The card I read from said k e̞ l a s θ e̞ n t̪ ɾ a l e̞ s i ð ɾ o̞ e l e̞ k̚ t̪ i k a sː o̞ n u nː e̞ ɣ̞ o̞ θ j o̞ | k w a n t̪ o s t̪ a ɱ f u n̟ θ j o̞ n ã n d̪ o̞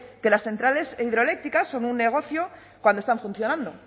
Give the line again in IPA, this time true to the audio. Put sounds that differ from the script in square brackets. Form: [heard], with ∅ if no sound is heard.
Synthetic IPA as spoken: k e̞ l a s θ e̞ n t̪ ɾ a l e̞ s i ð ɾ o̞ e l e̞ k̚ t̪ i k a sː o̞ n u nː e̞ ɣ̞ o̞ θ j o̞ | k w a n [d̪] o s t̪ a ɱ f u n̟ θ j o̞ n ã n d̪ o̞